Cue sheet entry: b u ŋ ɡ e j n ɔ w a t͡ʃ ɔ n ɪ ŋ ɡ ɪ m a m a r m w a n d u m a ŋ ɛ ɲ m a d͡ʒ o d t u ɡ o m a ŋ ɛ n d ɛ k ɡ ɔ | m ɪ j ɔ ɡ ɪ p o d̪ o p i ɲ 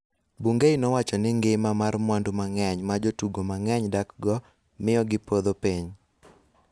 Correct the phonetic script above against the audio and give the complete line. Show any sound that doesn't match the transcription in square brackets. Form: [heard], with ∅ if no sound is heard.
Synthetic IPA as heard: b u ŋ ɡ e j n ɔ w a t͡ʃ ɔ n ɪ ŋ ɡ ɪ m a m a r m w a n d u m a ŋ ɛ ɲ m a d͡ʒ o [∅] t u ɡ o m a ŋ ɛ [ɲ] d [a] k ɡ ɔ | m ɪ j ɔ ɡ ɪ p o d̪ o p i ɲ